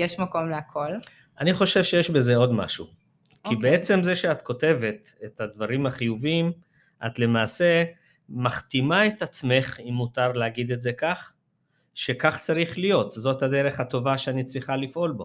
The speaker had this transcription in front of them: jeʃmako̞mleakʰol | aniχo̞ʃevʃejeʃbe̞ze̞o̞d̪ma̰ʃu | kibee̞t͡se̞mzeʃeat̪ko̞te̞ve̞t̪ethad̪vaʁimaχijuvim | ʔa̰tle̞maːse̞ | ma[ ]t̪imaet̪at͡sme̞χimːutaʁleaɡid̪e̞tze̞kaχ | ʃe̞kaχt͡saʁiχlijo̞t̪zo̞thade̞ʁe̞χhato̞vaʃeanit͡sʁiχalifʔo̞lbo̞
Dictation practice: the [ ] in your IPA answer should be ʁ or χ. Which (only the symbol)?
χ